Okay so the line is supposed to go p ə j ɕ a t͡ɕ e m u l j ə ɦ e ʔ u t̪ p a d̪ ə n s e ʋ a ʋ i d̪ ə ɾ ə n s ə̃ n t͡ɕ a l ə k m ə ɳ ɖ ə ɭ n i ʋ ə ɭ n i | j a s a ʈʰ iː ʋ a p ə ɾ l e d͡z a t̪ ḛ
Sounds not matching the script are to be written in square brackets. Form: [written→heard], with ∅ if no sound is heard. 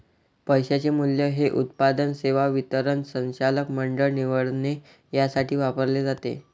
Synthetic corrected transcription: p ə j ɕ a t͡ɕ e m u l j ə ɦ e ʔ u t̪ p a d̪ ə n s e ʋ a ʋ i [d̪→t̪] ə ɾ ə n s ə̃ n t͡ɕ a l ə k m ə ɳ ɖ ə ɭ n i ʋ ə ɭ n [i→e] | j a s a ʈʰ iː ʋ a p ə ɾ l e d͡z a t̪ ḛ